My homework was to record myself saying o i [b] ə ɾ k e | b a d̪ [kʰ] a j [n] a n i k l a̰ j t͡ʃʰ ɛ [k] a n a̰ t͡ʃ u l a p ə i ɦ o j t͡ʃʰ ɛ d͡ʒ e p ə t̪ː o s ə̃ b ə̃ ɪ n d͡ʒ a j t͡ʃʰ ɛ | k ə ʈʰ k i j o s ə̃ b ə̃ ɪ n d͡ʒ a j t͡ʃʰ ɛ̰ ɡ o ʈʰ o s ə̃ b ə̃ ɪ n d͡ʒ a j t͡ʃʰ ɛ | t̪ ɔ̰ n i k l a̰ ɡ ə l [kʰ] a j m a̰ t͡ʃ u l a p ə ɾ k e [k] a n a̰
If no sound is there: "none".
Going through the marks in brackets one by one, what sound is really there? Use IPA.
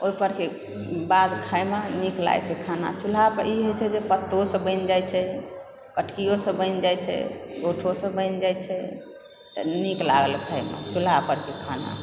p, kʰ, m, kʰ, kʰ, kʰ

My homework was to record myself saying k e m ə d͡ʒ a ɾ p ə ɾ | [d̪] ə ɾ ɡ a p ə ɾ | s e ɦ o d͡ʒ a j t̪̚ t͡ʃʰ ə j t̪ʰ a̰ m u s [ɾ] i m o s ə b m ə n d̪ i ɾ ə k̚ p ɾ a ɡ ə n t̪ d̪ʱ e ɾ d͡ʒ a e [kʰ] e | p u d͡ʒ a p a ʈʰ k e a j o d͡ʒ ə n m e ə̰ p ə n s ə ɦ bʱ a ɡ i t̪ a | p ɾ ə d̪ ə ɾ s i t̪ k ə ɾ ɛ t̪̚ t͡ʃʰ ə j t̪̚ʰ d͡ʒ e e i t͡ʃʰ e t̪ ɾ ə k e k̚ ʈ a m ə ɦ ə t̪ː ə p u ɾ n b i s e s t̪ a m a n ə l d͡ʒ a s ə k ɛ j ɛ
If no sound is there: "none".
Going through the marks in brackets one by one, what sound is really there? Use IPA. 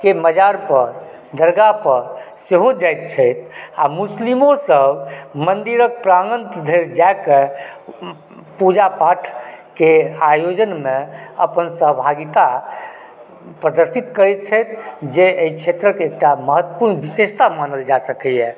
d̪, l, k

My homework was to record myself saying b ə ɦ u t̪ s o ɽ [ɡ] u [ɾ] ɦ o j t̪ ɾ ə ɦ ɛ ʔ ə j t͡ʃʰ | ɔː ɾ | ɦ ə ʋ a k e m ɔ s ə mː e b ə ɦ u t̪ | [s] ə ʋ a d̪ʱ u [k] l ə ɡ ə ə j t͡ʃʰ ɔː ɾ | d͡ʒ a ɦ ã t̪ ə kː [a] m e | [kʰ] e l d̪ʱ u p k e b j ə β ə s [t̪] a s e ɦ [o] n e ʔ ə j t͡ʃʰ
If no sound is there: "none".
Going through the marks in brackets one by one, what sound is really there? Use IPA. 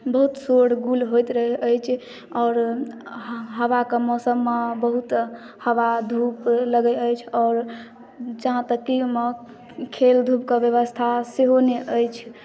ɡ, l, h, p, i, kʰ, t̪ʰ, o

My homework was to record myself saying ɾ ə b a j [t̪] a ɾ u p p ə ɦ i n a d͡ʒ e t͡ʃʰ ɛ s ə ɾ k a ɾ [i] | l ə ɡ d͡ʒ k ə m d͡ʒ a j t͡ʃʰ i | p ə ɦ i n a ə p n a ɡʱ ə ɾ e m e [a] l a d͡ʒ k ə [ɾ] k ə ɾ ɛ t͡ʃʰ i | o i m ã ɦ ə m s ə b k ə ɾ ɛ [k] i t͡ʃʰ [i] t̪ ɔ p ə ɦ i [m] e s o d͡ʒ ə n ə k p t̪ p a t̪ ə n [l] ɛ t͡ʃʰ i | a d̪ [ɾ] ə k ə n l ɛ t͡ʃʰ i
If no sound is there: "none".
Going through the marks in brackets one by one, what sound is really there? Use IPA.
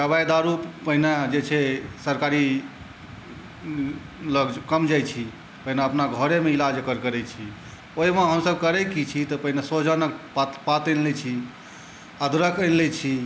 d̪, i, i, ɾ, k, i, n, l, ɾ

